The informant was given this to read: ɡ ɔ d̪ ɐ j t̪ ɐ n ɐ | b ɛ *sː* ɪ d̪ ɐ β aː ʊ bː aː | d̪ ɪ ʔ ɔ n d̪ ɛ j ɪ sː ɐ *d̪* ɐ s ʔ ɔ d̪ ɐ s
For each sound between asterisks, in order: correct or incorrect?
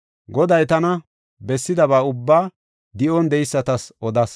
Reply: correct, incorrect

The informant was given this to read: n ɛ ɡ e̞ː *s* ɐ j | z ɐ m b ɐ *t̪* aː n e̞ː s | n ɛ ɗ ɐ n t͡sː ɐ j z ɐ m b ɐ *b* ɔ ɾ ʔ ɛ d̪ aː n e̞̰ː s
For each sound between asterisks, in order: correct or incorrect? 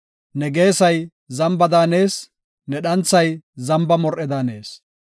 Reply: correct, incorrect, incorrect

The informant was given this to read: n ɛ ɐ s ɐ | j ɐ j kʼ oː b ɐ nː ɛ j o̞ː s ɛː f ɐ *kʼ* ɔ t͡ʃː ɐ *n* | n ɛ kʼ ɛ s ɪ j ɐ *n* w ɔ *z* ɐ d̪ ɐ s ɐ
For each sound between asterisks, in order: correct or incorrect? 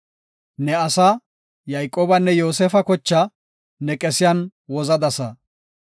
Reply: incorrect, incorrect, correct, correct

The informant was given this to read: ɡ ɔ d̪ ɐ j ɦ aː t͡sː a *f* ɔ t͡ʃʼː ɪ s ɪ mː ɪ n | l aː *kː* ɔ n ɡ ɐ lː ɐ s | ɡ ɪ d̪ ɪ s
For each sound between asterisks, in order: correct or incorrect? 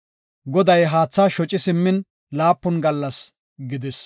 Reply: incorrect, incorrect

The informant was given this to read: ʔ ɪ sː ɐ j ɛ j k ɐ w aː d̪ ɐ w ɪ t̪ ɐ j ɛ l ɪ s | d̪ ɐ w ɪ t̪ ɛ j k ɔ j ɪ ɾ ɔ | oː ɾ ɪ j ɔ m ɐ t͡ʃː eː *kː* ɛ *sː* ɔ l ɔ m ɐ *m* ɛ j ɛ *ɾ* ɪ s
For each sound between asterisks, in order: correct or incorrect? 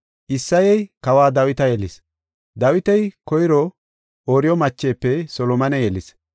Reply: incorrect, incorrect, incorrect, incorrect

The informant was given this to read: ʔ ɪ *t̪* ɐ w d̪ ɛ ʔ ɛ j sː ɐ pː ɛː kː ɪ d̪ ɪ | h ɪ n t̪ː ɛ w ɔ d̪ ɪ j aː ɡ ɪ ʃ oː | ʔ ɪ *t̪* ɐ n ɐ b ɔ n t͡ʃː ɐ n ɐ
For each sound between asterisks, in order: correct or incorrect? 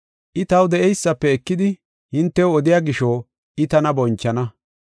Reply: correct, correct

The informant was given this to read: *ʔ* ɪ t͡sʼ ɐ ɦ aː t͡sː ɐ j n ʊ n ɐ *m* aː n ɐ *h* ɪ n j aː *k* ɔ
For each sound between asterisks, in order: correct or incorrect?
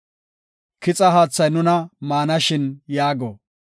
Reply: incorrect, correct, incorrect, incorrect

